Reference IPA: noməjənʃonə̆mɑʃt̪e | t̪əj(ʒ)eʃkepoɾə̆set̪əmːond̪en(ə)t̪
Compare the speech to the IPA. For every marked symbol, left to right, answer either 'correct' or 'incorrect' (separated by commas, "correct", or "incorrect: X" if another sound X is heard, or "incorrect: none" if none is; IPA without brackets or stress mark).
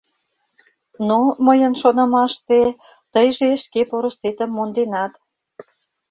correct, incorrect: ɑ